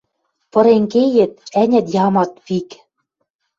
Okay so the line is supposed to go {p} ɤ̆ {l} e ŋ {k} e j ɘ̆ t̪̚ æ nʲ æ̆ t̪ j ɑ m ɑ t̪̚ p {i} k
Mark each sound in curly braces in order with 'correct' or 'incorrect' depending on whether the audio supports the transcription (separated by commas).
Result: correct, incorrect, correct, correct